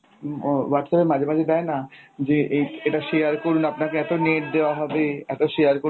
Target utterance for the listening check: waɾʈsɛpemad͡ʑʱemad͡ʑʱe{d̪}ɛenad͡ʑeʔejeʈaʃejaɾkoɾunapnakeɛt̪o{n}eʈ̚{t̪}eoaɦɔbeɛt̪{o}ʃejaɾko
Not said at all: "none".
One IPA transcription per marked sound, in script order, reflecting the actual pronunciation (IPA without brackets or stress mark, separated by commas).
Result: d̪, n, d̪, o